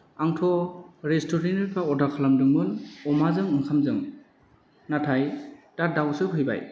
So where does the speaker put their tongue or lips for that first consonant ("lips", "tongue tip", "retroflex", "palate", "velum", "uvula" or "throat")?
velum